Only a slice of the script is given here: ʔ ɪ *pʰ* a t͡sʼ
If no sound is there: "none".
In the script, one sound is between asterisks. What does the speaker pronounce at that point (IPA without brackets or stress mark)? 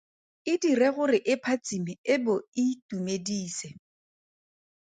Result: pʰ